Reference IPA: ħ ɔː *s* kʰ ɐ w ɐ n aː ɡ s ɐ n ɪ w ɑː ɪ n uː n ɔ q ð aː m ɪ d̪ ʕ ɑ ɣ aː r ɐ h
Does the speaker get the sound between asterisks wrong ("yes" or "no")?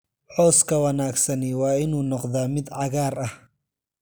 no